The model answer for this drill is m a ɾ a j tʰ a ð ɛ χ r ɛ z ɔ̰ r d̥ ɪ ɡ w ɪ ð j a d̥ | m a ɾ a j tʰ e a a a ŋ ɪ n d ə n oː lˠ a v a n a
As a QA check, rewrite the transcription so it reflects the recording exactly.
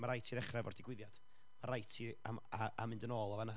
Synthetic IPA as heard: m a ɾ a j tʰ i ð ɛ χ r ɛ v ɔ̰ r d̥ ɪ ɡ w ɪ ð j a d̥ | m a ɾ a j tʰ i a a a m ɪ n d ə n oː lˠ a v a n a